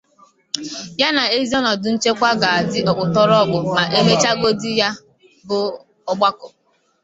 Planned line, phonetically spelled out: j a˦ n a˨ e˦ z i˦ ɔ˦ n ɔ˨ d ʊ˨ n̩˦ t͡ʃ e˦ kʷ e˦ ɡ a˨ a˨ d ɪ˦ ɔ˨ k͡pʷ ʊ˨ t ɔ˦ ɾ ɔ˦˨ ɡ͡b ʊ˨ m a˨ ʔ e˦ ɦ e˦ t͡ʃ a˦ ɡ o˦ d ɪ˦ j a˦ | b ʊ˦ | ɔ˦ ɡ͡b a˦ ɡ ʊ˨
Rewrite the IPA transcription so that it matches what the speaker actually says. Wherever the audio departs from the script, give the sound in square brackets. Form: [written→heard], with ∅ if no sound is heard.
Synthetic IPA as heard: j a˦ n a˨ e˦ z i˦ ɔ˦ n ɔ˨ d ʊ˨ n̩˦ t͡ʃ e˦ kʷ [e˦→a˦] ɡ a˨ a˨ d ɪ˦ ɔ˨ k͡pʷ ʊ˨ t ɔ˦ ɾ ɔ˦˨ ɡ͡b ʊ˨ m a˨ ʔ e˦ ɦ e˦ t͡ʃ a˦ ɡ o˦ d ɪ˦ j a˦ | b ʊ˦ | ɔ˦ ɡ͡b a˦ [ɡ→k] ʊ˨